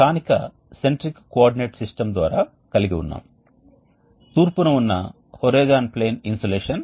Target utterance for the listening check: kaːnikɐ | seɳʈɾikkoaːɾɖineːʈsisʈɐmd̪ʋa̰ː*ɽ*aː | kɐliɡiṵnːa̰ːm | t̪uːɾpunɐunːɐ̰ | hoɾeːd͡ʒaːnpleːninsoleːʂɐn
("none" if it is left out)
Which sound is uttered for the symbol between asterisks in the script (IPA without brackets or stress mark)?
ɾ